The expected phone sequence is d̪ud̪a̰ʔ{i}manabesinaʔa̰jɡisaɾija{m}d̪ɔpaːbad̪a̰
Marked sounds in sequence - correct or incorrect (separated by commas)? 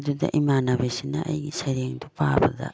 correct, incorrect